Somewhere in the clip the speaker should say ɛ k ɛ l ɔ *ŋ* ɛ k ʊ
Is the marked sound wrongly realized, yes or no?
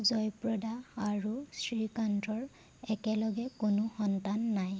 yes